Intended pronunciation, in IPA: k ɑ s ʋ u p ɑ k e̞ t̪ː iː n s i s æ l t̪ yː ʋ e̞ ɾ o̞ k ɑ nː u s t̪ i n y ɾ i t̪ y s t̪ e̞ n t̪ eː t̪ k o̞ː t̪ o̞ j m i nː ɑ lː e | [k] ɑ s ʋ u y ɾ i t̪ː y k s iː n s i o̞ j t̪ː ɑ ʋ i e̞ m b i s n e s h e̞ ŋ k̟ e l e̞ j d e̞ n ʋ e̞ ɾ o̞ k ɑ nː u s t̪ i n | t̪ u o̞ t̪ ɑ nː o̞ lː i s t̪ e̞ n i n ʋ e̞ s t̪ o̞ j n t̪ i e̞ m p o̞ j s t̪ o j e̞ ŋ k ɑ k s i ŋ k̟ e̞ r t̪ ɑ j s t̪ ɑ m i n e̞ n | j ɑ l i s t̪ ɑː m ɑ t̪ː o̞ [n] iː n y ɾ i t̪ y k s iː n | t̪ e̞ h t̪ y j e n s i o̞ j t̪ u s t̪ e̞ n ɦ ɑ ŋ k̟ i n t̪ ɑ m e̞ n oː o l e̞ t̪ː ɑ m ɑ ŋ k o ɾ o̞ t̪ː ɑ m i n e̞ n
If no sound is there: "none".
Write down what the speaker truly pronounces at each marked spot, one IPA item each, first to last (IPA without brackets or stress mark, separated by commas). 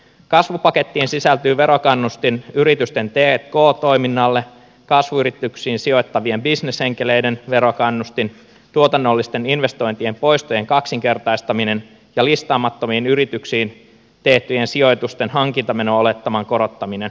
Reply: k, m